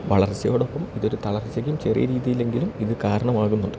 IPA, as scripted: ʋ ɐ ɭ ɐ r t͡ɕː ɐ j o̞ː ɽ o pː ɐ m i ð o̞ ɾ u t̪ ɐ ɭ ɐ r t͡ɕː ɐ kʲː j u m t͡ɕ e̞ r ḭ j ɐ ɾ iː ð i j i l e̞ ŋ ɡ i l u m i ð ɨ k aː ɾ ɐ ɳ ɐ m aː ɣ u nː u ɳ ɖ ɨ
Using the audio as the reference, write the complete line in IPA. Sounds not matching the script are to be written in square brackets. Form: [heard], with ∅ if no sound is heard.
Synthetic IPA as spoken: ʋ ɐ ɭ ɐ r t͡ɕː ɐ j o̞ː ɽ o pː ɐ m i ð o̞ ɾ u t̪ ɐ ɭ ɐ r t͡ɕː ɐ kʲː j u m t͡ɕ e̞ r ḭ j ɐ ɾ iː ð i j i l e̞ ŋ ɡ i l u m i ð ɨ k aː ɾ ɐ ɳ ɐ m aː ɣ u nː u ɳ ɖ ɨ

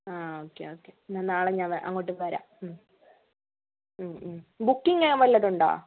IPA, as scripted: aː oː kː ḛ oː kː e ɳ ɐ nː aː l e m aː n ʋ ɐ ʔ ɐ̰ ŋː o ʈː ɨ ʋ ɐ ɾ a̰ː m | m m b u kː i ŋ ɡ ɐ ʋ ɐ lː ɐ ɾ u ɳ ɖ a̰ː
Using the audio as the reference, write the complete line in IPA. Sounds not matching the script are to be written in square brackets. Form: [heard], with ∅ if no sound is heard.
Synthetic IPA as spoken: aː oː kː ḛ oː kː e [n] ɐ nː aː [ɭ] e [ɲ] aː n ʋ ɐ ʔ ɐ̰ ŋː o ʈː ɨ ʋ ɐ ɾ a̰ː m | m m b u kː i ŋ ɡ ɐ ʋ ɐ lː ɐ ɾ u ɳ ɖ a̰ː

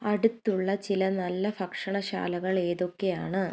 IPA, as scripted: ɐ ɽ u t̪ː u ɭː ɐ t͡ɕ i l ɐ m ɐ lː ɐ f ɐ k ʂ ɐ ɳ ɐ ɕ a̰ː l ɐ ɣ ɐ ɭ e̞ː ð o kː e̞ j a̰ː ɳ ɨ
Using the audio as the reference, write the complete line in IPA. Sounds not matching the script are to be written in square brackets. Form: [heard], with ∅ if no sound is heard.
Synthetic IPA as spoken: ɐ ɽ u t̪ː u ɭː ɐ t͡ɕ i l ɐ [n] ɐ lː ɐ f ɐ k ʂ ɐ ɳ ɐ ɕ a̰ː l ɐ ɣ ɐ ɭ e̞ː ð o kː e̞ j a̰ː ɳ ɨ

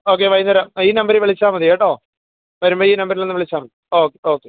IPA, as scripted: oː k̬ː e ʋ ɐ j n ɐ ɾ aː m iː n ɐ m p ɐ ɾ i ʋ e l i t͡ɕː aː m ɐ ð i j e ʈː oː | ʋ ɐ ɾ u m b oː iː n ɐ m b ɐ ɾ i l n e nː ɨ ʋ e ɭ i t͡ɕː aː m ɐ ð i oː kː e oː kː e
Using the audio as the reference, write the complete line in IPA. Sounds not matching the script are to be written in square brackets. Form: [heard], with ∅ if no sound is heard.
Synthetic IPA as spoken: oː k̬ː e ʋ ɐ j n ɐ ɾ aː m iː n ɐ m [b] ɐ ɾ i ʋ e [ɭ] i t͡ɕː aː m ɐ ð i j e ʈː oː | ʋ ɐ ɾ u m b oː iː n ɐ m b ɐ ɾ i l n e nː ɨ ʋ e ɭ i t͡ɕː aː m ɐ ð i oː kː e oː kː e

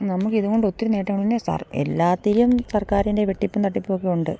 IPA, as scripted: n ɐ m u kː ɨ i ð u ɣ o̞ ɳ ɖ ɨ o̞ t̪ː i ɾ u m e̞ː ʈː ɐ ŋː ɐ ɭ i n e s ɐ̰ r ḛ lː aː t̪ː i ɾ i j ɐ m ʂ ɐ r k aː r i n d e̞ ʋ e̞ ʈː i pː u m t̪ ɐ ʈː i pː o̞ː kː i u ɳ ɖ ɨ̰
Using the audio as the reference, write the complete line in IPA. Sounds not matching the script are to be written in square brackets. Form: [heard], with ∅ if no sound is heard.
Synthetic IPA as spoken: n ɐ m u kː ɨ i ð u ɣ o̞ ɳ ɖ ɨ o̞ t̪ː i ɾ u [n] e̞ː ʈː ɐ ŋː ɐ ɭ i n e s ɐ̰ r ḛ lː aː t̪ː i ɾ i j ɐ m [s] ɐ r k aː [ɾ] i n d e̞ ʋ e̞ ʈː i pː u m t̪ ɐ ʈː i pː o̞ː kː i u ɳ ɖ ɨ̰

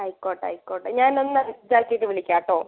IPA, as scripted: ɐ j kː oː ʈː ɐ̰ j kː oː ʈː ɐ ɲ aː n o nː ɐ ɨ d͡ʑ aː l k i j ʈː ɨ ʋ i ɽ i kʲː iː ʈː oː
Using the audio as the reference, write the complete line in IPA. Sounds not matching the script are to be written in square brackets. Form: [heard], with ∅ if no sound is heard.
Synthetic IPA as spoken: ɐ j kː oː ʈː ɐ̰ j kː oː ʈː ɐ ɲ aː n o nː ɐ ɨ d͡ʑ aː l k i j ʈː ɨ ʋ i [ɭ] i kʲː [aː] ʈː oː

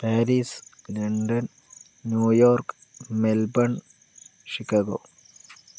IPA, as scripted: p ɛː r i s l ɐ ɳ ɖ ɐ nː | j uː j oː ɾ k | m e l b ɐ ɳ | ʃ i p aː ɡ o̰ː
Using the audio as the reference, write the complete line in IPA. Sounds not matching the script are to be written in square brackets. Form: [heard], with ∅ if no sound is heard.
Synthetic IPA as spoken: p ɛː [ɾ] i s l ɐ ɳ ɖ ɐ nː | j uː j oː ɾ k | m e l b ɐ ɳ | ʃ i [k] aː ɡ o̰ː

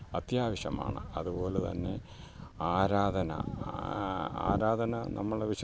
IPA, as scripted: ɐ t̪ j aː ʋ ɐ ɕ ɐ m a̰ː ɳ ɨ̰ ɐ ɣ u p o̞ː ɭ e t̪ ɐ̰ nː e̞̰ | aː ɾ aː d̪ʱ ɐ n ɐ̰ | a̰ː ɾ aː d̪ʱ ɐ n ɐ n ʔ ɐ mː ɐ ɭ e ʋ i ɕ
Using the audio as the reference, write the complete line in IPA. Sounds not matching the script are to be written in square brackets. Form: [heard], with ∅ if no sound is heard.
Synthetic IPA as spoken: ɐ t̪ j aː ʋ ɐ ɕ ɐ m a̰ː ɳ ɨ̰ ɐ [ð] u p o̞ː [l] e t̪ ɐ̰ nː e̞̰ | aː ɾ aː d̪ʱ ɐ n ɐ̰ | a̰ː ɾ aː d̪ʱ ɐ n ɐ n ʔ ɐ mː ɐ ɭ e ʋ i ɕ

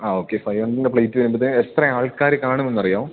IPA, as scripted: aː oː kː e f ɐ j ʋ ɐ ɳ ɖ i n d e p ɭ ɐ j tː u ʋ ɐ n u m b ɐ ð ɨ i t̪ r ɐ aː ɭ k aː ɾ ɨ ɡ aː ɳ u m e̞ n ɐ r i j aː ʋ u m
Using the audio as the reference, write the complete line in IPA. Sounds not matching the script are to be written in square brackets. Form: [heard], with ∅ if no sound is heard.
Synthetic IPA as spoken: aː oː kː e f ɐ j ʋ ɐ ɳ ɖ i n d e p ɭ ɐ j tː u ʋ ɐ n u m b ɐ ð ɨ [e] t̪ r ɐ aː ɭ k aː ɾ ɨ [k] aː ɳ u m e̞ [nː] ɐ r i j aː ʋ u m

